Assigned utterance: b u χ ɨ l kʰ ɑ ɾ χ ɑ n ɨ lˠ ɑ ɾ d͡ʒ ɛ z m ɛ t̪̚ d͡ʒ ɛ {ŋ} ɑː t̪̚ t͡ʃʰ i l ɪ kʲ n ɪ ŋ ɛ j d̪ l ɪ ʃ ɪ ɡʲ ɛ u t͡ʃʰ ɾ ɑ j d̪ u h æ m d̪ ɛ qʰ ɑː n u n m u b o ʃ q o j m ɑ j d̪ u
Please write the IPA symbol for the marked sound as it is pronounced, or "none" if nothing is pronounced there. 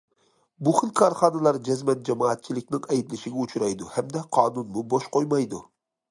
m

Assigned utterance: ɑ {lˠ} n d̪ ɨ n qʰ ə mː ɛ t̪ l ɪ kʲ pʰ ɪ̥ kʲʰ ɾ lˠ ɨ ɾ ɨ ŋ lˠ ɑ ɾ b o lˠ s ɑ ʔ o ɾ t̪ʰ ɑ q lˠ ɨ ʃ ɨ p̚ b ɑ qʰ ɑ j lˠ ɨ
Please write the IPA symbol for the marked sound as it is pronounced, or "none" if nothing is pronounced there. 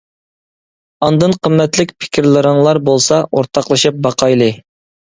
none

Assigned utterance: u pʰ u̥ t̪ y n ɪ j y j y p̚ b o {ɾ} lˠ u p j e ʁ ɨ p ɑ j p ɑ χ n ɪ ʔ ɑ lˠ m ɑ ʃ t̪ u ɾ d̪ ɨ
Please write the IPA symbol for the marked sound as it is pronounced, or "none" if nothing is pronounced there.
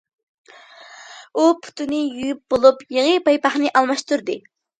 none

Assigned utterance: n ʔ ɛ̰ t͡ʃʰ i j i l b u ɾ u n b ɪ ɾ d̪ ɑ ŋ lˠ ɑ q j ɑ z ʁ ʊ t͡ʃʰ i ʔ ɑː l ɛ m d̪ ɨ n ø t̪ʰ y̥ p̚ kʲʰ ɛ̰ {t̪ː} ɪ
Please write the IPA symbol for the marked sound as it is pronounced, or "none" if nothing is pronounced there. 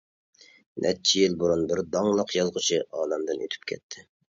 t̪ʰː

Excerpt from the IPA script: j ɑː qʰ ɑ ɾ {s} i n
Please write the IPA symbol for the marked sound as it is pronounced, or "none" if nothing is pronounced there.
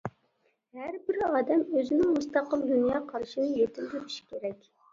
ʃ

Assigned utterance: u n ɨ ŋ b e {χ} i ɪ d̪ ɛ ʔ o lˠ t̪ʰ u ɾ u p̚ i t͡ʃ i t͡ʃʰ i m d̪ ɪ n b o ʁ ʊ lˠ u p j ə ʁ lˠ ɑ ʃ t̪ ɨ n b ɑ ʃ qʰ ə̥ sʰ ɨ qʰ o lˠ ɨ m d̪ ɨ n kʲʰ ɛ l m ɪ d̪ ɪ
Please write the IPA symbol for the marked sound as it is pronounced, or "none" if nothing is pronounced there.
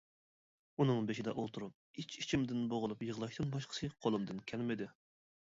ʃ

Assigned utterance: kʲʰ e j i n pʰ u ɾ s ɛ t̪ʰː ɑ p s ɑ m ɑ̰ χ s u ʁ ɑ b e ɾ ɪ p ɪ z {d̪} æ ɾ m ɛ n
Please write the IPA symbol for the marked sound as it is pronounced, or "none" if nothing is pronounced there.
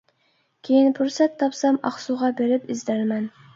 d̪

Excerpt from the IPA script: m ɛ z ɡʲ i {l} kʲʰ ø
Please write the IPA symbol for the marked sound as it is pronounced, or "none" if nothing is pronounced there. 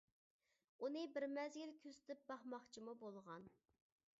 l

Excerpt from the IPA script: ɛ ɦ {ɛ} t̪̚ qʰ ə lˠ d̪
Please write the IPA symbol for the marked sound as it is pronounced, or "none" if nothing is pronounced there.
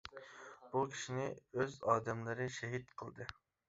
i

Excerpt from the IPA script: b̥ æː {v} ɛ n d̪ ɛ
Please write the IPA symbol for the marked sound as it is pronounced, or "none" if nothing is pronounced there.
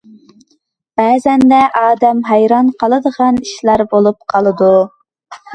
z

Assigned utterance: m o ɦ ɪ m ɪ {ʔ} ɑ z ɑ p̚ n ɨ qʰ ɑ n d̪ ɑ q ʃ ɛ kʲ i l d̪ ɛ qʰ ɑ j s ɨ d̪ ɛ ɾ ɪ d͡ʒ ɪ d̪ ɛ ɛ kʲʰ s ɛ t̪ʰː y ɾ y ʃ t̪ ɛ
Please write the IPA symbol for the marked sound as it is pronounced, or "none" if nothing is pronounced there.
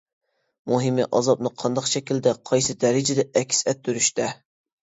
ʔ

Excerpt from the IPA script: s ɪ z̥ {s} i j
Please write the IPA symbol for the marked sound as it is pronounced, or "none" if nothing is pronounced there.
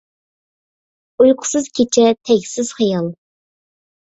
χ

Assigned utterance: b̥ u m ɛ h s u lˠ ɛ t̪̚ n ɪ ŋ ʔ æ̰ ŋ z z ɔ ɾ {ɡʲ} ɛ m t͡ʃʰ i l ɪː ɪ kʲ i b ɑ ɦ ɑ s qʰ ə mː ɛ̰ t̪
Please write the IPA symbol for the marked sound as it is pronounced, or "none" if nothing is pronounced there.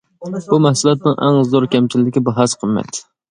kʲ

